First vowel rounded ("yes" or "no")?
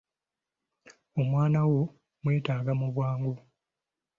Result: yes